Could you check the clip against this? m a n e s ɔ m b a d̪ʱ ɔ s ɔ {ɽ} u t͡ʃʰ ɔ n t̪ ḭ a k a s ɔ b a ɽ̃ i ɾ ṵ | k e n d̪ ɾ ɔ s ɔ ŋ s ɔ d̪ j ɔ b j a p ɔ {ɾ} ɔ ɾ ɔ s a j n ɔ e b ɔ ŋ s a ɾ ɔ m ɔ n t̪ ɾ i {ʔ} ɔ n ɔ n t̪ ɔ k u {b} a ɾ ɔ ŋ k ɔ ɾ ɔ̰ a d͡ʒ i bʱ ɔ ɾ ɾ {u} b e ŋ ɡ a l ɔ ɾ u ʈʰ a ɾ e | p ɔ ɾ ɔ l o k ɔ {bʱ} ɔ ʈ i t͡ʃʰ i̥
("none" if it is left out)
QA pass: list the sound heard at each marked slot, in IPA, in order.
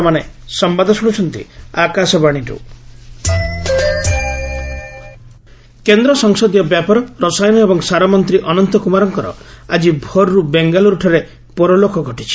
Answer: ɽ, ɾ, ʔ, m, u, ɡʱ

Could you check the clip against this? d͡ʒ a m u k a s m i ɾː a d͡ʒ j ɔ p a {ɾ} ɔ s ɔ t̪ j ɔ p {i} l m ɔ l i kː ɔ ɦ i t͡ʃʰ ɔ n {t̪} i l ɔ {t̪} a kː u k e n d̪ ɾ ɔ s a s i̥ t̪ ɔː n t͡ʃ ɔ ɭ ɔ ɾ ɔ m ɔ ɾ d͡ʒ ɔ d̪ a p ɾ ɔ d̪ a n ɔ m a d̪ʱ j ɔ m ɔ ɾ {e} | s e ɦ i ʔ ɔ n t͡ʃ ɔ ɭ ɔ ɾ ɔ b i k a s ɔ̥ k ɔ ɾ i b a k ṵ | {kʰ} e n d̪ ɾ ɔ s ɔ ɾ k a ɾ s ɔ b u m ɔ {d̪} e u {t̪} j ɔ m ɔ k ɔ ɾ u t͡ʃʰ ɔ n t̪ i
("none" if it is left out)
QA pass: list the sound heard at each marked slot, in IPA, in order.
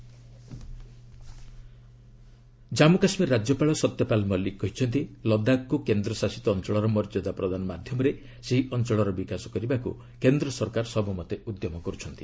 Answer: ɭ, a, t̪, d̪, e, k, t̪, d̪

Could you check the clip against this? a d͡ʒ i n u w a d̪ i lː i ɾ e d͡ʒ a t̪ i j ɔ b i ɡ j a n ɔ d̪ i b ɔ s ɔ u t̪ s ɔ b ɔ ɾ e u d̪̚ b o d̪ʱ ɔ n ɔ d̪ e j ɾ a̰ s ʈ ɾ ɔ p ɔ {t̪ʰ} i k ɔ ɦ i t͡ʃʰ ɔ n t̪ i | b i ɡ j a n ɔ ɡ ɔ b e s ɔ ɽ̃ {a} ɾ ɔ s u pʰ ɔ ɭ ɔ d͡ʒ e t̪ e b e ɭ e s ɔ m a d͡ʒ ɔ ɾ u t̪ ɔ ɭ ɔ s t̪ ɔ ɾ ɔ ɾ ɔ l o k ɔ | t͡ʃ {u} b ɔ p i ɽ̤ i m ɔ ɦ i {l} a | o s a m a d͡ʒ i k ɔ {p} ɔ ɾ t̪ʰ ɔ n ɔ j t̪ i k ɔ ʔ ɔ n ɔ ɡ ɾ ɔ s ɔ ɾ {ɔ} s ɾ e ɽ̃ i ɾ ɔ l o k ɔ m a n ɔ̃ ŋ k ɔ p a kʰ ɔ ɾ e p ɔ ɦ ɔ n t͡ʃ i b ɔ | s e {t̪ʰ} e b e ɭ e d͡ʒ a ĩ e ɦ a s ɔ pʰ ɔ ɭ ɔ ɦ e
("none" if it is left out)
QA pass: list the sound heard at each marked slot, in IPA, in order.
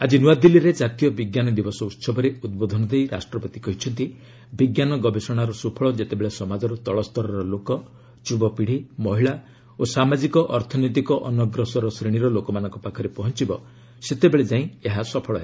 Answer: t̪, a, u, ɭ, ʔ, ɔ, t̪

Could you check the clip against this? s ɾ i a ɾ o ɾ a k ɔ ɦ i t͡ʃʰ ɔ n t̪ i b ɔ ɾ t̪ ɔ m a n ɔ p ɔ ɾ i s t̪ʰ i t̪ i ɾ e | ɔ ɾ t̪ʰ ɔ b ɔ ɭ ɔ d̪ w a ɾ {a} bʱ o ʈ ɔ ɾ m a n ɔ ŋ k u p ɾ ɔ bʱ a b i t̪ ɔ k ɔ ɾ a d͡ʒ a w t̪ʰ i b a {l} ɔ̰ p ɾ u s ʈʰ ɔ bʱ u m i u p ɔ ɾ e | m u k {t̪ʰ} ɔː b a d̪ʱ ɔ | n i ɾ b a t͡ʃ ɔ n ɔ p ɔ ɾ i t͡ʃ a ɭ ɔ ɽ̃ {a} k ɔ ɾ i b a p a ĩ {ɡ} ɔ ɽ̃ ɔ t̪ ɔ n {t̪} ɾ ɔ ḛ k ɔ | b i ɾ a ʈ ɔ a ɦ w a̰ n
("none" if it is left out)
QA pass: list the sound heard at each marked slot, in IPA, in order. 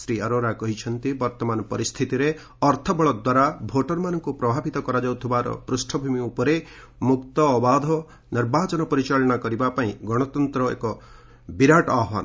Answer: a, ɾ, t̪, a, ɡ, t̪

